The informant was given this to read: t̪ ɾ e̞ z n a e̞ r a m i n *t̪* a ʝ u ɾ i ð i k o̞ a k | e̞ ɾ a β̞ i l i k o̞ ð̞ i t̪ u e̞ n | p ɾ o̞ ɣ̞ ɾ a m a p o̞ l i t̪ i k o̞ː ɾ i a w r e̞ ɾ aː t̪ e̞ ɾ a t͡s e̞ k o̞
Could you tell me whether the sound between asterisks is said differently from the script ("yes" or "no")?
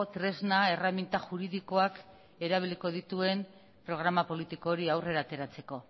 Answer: no